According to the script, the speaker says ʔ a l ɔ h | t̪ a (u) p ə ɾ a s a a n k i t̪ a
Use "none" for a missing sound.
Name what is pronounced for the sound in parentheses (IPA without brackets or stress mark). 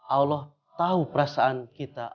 u